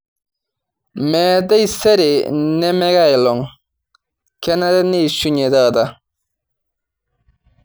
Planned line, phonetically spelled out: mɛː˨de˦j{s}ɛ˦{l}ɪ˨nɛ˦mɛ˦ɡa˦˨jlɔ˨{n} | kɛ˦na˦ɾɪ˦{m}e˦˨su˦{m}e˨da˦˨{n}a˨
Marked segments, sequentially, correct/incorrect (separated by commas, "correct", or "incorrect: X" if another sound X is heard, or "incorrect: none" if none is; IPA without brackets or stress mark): correct, incorrect: ɾ, incorrect: ŋ, incorrect: n, incorrect: ɲ, incorrect: d